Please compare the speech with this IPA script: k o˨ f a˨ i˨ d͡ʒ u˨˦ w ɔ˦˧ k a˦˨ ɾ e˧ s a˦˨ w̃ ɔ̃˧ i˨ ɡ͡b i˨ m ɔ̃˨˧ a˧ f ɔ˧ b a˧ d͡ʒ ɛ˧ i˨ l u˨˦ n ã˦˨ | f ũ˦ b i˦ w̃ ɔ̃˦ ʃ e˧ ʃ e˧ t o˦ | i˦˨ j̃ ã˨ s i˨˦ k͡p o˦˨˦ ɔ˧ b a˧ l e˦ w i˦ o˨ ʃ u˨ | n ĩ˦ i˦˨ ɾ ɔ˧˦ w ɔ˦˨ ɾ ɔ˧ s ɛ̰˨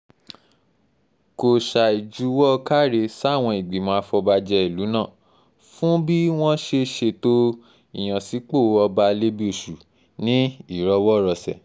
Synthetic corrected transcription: k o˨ ʃ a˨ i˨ d͡ʒ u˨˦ w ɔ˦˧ k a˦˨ ɾ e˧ s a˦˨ w̃ ɔ̃˧ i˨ ɡ͡b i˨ m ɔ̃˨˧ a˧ f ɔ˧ b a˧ d͡ʒ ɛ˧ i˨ l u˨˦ n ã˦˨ | f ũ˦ b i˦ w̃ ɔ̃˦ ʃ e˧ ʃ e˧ t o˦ | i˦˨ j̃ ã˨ s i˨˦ k͡p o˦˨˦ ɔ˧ b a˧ l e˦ b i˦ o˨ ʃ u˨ | n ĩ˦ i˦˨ ɾ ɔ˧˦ w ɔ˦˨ ɾ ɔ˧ s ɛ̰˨